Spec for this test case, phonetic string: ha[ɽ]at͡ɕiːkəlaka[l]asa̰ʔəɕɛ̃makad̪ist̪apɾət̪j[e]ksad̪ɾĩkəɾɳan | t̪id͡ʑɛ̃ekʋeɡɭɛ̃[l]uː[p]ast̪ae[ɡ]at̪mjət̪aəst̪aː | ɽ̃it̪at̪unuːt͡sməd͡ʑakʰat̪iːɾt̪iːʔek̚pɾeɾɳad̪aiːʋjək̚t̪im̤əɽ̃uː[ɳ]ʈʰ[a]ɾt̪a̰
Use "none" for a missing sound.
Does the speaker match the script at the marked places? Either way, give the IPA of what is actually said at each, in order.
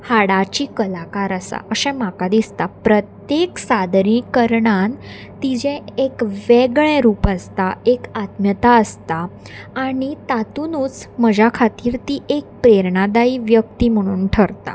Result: ɽ, ɾ, e, ɾ, p, k, n, ə

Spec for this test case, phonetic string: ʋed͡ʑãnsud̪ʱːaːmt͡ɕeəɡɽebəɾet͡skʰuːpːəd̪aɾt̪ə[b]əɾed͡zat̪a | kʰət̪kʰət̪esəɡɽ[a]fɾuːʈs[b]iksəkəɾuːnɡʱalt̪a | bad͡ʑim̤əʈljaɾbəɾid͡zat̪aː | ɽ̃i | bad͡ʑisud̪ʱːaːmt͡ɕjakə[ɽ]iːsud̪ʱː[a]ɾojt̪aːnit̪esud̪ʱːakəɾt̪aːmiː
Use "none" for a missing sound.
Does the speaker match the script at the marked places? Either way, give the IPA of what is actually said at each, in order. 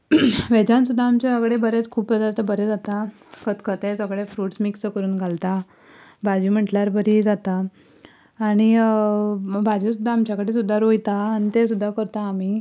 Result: b, e, m, ɽ, a

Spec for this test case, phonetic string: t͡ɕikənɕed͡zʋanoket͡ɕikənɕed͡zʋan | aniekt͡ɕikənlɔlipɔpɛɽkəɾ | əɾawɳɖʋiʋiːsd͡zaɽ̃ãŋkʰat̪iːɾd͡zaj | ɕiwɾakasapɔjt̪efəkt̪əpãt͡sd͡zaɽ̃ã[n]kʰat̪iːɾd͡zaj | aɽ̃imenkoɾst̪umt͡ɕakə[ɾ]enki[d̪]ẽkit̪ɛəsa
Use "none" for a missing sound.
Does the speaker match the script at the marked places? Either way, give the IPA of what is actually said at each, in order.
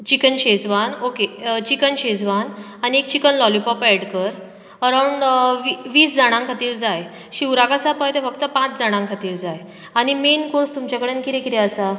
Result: ŋ, ɽ, t̪

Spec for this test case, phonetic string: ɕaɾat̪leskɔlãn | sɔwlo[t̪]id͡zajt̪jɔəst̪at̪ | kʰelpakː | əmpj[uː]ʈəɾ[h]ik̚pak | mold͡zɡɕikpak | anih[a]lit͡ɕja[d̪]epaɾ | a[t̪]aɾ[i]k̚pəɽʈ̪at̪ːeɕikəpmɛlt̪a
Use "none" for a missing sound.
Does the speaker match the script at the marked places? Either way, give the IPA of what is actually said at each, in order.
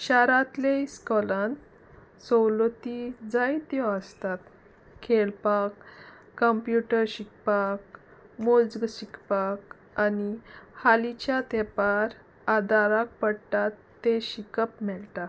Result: t̪, u, ɕ, a, t̪, d̪, a

